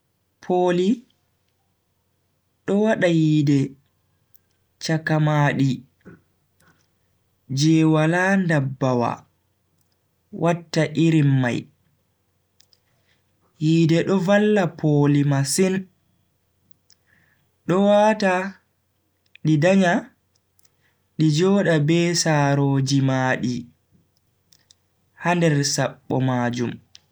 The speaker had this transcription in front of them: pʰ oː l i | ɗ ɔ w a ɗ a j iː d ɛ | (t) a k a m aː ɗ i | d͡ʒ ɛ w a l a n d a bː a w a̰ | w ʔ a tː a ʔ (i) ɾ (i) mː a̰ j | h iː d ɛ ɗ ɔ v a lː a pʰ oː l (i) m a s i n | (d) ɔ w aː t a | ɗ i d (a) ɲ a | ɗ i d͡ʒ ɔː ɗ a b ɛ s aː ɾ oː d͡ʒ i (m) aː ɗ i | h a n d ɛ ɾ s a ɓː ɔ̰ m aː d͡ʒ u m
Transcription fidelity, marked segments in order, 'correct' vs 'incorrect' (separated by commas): incorrect, correct, correct, correct, incorrect, correct, correct